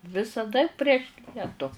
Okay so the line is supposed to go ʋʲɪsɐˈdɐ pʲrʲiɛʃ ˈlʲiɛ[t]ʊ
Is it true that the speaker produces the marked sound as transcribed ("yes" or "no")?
yes